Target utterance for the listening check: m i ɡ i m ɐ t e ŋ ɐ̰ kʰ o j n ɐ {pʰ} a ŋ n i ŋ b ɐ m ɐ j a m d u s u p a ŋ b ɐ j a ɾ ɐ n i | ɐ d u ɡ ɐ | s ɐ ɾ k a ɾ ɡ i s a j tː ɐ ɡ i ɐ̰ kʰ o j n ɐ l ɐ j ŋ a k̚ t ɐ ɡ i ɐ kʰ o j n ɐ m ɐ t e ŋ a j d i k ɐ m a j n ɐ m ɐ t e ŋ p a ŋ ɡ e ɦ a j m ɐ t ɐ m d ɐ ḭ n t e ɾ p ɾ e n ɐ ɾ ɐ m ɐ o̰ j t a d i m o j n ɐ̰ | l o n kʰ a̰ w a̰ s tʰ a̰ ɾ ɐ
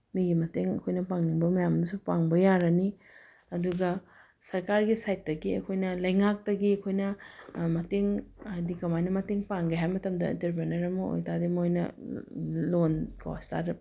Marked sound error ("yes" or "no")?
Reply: yes